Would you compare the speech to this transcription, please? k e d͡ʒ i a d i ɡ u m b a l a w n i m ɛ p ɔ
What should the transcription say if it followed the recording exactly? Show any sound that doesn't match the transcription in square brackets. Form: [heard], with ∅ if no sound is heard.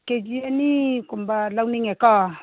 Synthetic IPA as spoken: k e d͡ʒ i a [n] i [k] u m b a l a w n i [ŋ] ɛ [k] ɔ